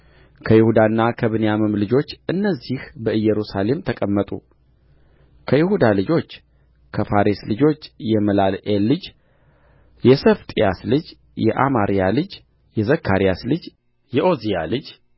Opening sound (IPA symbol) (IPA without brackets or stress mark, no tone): kʰ